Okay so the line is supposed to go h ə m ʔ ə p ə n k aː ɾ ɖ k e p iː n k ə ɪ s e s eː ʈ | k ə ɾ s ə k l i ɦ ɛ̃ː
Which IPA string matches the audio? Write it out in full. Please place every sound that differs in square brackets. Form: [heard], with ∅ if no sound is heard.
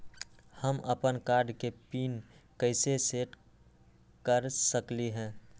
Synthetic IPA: h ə m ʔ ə p ə n k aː ɾ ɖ k e p iː n k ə ɪ s e s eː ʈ | k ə ɾ s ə k l i ɦ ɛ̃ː